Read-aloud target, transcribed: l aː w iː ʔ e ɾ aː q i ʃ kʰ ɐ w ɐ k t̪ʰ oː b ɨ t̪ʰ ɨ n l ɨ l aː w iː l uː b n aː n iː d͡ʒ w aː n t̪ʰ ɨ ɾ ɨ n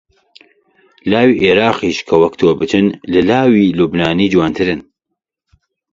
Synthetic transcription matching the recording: l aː w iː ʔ e ɾ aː q i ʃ kʰ ɐ w ɐ k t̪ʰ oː b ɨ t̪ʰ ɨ n l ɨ l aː w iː l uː b n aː n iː d͡ʒ w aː n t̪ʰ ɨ ɾ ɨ n

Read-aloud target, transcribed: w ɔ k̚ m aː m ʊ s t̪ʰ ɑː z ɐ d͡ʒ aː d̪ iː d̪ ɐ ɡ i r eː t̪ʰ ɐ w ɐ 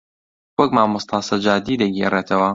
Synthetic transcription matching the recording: w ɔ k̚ m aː m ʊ s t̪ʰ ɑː s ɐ d͡ʒ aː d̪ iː d̪ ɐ ɡ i r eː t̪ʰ ɐ w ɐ

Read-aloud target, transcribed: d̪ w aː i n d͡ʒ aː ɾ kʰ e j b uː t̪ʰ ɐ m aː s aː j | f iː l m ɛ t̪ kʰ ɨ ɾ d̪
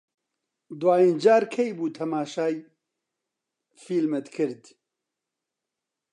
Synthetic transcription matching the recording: d̪ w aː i n d͡ʒ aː ɾ kʰ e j b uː t̪ʰ ɐ m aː ʃ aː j | f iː l m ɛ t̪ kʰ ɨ ɾ d̪

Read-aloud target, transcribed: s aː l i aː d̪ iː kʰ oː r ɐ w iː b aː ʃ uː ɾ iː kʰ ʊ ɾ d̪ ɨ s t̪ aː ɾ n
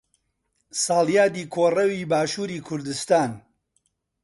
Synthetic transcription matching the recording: s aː l j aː d̪ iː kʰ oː r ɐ w iː b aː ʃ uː ɾ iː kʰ ʊ ɾ d̪ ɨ s t̪ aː n

